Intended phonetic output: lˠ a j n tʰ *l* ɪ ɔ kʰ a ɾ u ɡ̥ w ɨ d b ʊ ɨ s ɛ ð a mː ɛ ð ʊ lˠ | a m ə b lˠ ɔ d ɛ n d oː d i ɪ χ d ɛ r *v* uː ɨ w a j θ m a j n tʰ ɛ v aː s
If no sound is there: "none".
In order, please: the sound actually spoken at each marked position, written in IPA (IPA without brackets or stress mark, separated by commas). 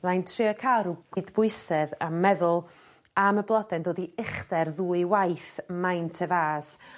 r, ð